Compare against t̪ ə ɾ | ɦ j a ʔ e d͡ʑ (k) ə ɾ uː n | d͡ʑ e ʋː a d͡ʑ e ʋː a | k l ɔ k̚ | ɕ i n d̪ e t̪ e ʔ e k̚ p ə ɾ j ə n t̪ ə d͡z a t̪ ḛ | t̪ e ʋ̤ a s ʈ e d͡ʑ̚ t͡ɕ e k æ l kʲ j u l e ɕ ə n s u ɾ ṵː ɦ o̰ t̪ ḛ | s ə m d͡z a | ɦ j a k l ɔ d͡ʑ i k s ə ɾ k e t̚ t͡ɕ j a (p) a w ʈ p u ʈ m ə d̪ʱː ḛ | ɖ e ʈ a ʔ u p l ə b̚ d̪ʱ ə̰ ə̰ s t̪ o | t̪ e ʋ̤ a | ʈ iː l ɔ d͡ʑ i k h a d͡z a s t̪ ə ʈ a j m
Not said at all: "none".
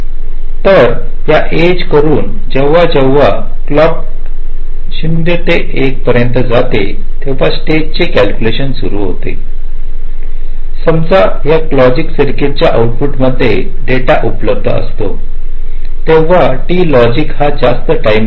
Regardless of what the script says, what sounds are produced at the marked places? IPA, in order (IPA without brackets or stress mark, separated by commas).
k, ʔ